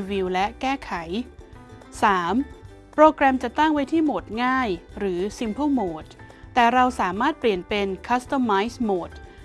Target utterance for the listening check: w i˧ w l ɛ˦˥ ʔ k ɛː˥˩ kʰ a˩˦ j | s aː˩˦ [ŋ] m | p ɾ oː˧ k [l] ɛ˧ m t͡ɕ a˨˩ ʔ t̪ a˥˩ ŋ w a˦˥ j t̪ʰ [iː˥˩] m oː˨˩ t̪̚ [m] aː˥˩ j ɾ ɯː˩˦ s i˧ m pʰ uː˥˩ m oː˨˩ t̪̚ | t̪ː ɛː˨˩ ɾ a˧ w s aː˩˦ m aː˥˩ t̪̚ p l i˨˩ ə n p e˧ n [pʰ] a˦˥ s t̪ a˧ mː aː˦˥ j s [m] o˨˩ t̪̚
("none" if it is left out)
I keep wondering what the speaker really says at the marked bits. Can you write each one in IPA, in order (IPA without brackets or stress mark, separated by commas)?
none, ɾ, iː˥˩, ŋ, kʰ, m